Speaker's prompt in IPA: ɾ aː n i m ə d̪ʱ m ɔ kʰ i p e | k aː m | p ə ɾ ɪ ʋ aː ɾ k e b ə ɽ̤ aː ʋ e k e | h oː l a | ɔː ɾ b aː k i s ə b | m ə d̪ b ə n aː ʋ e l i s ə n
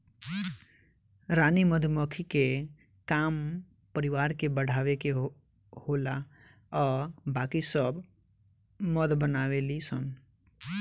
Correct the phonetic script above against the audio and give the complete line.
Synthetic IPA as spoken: ɾ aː n i m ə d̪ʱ m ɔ kʰ i k e | k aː m | p ə ɾ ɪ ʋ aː ɾ k e b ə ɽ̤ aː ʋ e k e | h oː l a | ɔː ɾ b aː k i s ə b | m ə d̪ b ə n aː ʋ e l i s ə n